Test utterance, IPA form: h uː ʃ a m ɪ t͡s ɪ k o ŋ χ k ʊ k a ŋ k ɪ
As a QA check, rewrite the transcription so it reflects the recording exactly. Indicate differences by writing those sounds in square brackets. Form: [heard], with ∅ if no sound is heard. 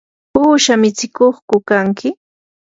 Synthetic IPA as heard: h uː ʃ a m ɪ t͡s ɪ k o [∅] χ k ʊ k a ŋ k ɪ